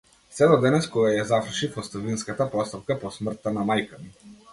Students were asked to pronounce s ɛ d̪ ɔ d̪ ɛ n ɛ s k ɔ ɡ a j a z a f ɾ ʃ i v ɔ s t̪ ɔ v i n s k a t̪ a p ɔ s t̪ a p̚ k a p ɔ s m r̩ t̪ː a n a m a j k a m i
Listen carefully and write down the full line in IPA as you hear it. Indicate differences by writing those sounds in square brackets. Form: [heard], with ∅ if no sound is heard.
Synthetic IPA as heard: s ɛ d̪ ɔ d̪ ɛ n ɛ s k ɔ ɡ a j a z a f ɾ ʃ i [f] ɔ s t̪ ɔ v i n s k a t̪ a p ɔ s t̪ a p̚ k a p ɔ s m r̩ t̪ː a n a m a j k a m i